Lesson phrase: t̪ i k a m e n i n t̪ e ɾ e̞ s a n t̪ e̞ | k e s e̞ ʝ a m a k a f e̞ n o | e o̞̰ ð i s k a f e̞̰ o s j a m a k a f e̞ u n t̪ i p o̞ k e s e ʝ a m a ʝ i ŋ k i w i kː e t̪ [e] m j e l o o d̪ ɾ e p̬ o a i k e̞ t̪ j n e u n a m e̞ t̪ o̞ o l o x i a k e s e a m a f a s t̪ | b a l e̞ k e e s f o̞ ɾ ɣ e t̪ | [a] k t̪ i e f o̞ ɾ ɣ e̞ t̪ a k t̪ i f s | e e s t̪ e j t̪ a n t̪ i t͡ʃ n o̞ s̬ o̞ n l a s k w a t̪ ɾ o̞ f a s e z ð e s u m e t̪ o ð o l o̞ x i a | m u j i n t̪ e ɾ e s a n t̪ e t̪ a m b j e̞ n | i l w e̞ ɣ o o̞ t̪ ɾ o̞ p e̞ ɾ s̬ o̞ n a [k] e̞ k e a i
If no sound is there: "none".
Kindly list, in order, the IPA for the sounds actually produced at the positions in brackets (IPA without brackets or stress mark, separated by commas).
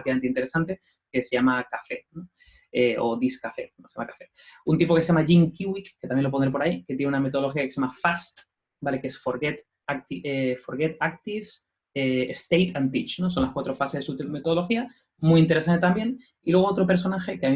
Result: a, a, x